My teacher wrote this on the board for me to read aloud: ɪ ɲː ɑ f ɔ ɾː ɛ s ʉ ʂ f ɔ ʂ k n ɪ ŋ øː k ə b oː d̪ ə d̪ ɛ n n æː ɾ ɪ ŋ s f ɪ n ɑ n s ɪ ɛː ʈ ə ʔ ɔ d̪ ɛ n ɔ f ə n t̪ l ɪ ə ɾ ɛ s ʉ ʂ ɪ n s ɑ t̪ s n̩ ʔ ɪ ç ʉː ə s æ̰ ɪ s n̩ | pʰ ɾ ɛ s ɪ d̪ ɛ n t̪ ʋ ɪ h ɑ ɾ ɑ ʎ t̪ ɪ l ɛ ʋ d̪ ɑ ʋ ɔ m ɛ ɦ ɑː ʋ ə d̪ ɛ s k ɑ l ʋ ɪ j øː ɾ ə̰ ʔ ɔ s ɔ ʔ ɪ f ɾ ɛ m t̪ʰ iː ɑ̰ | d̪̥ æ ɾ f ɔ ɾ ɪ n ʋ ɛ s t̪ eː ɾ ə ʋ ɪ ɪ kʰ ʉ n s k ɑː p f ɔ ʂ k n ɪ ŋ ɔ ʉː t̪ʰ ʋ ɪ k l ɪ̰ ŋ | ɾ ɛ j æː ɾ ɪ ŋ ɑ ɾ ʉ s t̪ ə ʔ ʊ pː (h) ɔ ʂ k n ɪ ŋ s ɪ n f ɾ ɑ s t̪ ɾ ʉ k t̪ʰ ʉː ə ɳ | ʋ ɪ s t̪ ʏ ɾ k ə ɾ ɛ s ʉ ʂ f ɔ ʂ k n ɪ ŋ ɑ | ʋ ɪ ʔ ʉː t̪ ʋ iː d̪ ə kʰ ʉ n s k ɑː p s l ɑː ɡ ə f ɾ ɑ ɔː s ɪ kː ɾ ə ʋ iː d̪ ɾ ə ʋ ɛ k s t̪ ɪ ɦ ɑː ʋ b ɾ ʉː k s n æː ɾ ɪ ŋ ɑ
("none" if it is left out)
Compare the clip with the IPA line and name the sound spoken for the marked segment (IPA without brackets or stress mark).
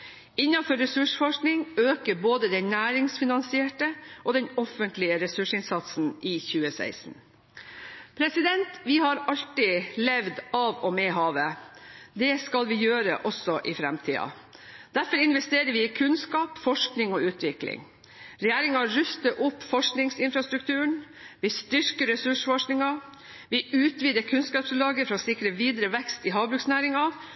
f